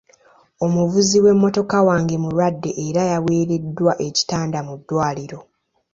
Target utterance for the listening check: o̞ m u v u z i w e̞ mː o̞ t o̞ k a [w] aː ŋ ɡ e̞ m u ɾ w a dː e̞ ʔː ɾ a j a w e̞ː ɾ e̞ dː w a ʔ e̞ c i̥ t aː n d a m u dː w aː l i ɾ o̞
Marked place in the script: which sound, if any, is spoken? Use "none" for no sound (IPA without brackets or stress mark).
w